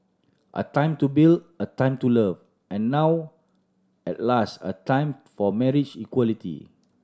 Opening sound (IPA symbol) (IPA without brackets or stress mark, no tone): ʔ